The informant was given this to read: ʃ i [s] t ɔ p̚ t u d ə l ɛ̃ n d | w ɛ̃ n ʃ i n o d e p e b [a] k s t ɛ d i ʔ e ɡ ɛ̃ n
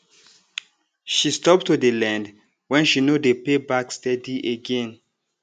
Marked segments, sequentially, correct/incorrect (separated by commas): correct, correct